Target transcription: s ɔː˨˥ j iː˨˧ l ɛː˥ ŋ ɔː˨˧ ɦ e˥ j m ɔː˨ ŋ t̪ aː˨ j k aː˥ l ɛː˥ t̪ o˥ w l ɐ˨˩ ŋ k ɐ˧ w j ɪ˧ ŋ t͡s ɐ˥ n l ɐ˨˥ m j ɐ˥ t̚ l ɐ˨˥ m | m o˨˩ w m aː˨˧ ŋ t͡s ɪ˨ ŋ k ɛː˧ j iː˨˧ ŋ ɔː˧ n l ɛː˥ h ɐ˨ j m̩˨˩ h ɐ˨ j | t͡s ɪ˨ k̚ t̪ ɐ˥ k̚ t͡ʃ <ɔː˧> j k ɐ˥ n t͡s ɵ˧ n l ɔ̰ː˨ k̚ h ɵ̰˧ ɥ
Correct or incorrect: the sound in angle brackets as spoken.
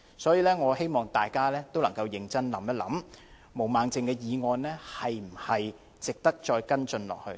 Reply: correct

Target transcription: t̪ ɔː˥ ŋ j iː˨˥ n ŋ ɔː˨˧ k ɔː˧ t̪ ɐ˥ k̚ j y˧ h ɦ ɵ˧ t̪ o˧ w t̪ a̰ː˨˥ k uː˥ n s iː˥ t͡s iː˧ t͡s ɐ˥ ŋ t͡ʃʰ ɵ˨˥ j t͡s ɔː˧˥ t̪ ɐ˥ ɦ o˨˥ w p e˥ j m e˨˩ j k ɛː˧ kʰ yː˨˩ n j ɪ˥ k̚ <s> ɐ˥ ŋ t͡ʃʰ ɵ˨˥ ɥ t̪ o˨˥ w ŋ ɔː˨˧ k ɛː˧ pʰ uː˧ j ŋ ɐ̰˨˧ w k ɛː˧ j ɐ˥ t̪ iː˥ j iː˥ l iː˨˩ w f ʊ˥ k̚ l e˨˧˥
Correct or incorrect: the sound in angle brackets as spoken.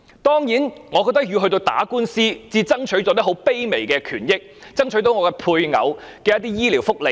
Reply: incorrect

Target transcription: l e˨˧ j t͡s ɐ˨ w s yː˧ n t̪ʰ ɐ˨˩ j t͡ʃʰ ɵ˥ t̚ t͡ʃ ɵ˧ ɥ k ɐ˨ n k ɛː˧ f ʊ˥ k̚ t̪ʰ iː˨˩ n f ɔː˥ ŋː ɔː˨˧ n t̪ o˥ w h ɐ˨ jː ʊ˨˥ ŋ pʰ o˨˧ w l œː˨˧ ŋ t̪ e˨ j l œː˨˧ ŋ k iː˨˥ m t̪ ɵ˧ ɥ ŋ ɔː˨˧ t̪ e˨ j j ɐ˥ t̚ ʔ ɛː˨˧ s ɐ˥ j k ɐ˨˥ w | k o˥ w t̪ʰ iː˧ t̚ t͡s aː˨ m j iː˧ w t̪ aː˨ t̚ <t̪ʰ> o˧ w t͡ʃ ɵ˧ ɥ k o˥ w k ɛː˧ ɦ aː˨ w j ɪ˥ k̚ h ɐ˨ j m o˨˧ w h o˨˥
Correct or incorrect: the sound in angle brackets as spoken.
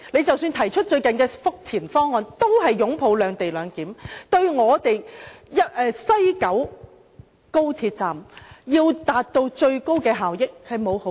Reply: incorrect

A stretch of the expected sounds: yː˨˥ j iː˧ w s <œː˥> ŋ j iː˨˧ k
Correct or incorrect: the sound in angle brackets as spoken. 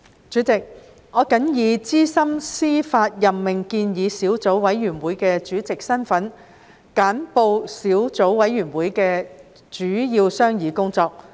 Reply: correct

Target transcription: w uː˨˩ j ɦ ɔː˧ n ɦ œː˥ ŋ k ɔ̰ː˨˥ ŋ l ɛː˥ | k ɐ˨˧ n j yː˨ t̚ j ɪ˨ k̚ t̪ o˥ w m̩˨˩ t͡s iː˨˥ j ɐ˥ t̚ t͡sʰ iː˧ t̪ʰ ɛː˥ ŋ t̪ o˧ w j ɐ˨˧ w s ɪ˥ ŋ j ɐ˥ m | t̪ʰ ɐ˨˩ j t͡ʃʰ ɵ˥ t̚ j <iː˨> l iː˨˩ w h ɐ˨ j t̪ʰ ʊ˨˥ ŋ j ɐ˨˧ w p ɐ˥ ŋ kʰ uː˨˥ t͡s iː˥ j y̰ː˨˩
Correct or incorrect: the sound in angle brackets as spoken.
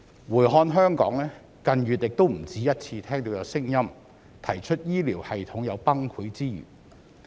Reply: incorrect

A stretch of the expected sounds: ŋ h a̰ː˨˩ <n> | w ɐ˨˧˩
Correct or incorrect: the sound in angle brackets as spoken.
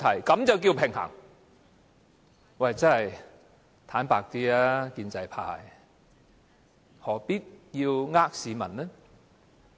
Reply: incorrect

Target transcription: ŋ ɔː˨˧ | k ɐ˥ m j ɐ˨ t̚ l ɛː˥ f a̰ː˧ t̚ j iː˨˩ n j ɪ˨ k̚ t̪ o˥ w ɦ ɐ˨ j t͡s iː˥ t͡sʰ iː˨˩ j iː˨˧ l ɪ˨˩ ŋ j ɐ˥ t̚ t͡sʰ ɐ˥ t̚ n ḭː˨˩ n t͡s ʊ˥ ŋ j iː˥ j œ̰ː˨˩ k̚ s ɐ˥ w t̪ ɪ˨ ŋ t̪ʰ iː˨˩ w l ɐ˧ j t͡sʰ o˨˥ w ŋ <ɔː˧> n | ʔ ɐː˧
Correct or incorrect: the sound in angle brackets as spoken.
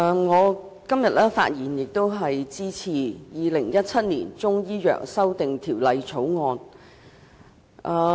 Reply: correct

